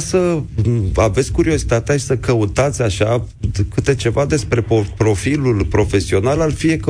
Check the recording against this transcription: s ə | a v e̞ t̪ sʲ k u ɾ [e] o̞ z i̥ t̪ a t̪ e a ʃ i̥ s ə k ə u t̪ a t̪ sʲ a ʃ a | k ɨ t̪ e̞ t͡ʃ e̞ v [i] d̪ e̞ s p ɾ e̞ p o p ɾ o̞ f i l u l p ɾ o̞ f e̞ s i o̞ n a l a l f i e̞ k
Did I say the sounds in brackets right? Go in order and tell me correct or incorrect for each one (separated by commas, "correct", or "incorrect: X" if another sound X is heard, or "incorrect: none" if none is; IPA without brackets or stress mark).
incorrect: i, incorrect: a